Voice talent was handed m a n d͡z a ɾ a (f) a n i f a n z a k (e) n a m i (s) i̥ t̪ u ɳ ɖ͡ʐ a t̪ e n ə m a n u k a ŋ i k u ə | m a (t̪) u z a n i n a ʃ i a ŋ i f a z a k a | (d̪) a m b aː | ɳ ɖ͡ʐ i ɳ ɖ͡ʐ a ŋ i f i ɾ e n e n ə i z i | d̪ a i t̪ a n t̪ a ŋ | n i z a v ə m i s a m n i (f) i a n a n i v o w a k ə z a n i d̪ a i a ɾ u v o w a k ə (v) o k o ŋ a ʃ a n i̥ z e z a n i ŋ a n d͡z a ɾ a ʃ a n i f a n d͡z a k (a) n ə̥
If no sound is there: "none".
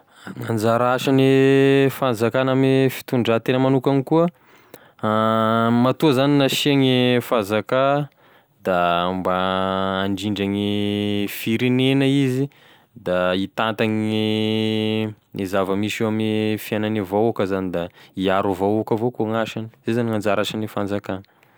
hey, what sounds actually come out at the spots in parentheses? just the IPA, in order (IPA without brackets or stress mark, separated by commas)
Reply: ʃ, a, f, t̪, d̪, f, v, a